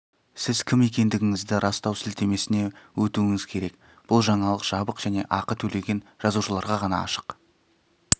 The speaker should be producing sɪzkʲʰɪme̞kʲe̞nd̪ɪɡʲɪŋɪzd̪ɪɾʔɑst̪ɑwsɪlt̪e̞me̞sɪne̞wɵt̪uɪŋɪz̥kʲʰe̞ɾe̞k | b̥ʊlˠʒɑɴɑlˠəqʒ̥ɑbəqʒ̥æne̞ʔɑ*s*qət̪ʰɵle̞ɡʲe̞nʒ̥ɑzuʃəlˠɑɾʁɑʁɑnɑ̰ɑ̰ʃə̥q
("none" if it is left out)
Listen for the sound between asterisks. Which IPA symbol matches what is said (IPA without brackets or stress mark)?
none